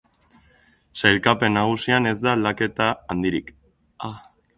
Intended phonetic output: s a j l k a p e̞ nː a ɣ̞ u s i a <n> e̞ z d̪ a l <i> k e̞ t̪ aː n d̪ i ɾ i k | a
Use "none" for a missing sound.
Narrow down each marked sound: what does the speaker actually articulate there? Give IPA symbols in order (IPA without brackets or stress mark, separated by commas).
n, a